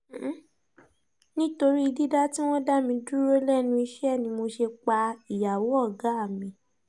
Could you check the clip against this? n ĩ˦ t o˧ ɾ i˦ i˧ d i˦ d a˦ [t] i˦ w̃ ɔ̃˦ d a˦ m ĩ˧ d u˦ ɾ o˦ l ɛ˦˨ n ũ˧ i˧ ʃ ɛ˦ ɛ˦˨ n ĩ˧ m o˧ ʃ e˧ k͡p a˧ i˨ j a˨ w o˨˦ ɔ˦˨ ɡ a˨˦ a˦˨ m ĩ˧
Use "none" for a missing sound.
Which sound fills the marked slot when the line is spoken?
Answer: t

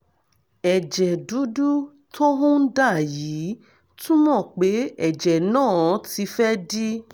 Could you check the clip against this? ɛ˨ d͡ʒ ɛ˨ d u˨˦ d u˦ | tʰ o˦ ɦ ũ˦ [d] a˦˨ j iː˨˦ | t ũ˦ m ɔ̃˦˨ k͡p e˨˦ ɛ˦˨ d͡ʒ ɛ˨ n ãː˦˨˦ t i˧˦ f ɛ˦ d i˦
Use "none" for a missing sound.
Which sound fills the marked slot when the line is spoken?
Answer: d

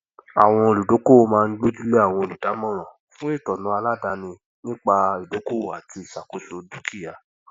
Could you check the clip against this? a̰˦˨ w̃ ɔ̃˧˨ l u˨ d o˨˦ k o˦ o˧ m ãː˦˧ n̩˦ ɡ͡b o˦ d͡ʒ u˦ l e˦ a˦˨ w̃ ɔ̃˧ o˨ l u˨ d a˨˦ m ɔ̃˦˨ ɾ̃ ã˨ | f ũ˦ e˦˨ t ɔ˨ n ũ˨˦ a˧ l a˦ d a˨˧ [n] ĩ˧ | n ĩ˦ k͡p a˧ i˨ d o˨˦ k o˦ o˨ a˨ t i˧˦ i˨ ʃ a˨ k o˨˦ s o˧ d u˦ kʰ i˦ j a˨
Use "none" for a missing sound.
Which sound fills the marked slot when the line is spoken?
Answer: n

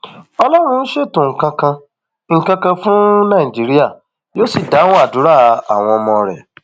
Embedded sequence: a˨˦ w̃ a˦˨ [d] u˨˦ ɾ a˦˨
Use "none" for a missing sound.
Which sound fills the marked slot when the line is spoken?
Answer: d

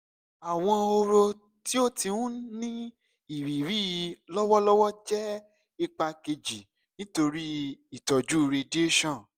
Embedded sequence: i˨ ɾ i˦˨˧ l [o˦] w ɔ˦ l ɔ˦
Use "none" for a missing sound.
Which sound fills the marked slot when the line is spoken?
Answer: ɔ˦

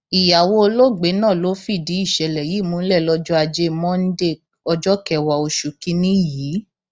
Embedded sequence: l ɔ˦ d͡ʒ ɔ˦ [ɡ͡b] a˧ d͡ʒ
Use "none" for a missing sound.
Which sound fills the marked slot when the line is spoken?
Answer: none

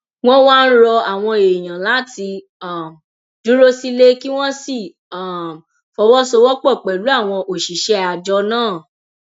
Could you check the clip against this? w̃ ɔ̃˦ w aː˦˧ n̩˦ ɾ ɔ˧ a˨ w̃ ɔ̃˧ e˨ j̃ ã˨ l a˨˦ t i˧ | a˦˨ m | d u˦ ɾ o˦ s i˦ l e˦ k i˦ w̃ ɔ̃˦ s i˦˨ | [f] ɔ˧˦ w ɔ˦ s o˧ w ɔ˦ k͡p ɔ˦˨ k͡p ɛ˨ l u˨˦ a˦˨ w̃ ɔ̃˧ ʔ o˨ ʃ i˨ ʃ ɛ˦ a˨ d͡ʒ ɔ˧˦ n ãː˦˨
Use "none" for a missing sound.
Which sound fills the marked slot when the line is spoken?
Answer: f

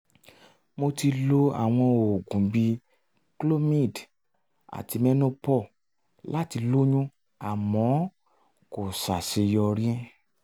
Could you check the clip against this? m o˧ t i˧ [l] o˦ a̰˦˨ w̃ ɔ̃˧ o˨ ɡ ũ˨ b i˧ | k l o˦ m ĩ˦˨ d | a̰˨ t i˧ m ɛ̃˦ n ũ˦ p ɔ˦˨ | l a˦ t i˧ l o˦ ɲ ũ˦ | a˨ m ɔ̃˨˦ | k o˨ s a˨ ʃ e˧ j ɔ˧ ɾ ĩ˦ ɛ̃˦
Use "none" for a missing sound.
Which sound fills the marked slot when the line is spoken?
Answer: l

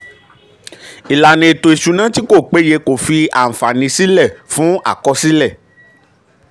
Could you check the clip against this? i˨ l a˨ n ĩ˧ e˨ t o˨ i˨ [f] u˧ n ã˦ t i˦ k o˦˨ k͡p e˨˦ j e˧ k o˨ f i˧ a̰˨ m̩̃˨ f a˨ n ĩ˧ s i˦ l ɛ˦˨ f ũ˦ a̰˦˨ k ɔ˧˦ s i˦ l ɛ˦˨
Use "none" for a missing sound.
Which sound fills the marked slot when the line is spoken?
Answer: ʃ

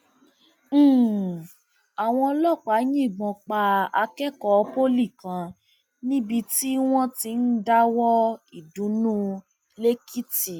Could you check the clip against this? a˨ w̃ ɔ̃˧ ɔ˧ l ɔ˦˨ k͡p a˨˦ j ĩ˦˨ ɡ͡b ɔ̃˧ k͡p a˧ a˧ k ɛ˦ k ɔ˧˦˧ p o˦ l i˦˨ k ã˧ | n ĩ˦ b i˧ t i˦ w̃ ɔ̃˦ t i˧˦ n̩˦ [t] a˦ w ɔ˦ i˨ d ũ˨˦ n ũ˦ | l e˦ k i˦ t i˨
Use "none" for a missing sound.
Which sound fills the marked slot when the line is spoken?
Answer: d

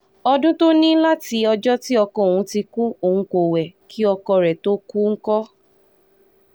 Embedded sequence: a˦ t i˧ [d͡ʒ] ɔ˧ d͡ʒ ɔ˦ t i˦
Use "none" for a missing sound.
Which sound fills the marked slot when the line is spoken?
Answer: none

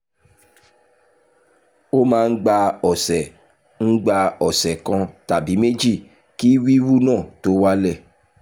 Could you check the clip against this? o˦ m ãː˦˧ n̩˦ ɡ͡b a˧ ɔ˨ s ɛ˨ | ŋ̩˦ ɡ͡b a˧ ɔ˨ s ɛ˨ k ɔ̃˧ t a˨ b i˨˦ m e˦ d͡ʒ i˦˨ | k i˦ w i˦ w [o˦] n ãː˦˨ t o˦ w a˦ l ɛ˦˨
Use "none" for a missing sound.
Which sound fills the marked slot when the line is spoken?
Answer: u˦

